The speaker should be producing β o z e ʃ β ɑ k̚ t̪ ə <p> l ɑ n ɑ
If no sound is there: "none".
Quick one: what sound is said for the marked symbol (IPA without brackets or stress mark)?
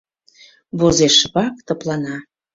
p